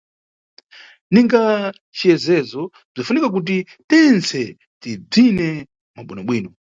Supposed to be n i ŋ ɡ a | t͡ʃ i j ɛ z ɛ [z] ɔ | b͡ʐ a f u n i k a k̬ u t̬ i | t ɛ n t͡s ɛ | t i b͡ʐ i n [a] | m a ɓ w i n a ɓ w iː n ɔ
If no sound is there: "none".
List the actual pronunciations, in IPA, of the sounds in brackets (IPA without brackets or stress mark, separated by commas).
z, ɛ